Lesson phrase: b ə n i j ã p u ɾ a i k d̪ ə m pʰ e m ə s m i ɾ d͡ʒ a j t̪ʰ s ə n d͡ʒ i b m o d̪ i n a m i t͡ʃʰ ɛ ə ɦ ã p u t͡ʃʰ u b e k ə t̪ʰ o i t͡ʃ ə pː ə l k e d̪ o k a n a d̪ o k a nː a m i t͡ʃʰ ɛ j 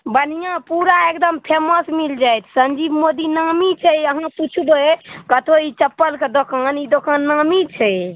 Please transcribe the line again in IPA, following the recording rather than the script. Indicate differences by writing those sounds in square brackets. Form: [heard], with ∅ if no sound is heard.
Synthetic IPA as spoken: b ə n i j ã p u ɾ a [e] k d̪ ə m pʰ e m ə s m i [l] d͡ʒ a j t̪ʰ s ə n d͡ʒ i b m o d̪ i n a m i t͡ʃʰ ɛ ə ɦ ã p u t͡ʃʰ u b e k ə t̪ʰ o i t͡ʃ ə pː ə l k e d̪ o k a n [i] d̪ o k a nː a m i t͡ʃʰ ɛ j